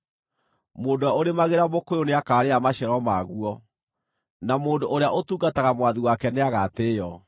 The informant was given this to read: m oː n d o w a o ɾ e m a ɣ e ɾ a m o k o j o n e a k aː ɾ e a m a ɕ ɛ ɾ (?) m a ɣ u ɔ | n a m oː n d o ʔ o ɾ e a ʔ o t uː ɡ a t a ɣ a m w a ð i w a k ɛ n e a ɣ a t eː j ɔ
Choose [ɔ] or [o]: ɔ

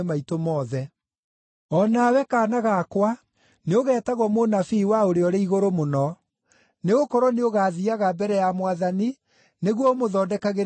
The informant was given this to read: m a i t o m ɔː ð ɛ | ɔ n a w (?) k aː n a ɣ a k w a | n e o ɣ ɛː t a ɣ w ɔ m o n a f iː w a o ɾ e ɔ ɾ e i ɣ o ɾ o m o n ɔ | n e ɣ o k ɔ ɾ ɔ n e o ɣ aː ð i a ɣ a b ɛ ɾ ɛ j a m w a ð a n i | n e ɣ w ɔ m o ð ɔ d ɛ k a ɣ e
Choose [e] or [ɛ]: ɛ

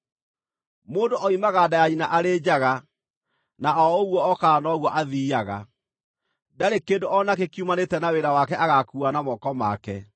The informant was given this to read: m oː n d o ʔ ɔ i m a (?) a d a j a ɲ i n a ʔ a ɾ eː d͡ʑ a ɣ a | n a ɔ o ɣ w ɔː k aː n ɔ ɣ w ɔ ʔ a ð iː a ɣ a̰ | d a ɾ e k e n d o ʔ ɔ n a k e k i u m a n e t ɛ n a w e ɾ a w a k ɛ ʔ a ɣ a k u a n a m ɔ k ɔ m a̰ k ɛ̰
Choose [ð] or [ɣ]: ɣ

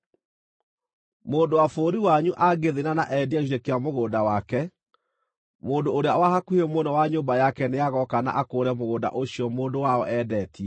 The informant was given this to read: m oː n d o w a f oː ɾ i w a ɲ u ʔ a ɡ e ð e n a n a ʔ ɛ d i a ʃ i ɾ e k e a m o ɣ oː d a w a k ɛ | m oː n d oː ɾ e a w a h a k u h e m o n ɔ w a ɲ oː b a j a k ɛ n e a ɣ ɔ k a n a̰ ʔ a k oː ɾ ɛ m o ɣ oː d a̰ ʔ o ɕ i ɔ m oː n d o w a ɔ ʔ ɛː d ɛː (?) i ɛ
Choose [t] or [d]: t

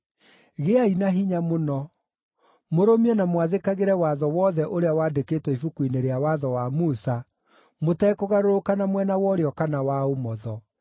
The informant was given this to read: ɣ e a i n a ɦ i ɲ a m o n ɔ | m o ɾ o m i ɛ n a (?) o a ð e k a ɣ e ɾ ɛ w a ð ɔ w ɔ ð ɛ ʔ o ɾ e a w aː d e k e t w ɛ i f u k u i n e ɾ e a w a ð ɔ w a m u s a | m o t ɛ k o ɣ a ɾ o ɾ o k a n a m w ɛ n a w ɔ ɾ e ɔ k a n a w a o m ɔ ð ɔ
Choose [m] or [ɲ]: m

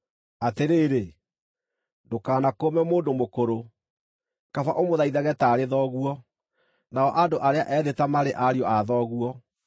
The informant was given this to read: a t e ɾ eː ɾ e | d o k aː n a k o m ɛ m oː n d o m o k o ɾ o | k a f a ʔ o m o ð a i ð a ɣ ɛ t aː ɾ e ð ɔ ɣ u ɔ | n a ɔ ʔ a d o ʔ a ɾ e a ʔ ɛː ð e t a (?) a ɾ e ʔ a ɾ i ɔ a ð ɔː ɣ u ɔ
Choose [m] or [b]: m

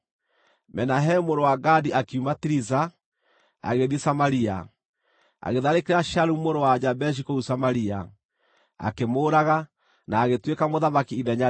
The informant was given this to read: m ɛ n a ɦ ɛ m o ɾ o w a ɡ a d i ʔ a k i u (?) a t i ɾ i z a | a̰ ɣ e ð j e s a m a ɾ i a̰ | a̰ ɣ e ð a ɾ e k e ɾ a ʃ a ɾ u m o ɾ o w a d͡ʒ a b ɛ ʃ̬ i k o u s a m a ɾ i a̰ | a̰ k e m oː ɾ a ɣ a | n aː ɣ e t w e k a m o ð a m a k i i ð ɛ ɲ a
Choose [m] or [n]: m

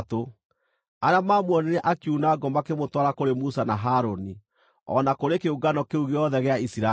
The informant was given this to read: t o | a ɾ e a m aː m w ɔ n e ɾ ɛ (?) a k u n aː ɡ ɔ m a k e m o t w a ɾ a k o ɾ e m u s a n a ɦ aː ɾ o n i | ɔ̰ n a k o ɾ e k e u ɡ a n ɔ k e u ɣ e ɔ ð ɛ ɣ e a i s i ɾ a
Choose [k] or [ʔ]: ʔ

